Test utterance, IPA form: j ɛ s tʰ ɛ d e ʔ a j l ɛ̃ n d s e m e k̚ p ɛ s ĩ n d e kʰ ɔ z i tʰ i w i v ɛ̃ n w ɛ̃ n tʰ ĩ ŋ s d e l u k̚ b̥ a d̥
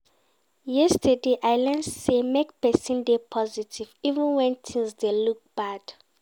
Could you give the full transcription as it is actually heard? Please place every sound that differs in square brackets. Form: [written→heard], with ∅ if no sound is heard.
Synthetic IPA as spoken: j ɛ s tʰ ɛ d e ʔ a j l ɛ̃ n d s e m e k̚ p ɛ s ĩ n d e [kʰ→pʰ] ɔ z i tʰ i [w→v] i v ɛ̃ n w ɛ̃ n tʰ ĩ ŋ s d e l u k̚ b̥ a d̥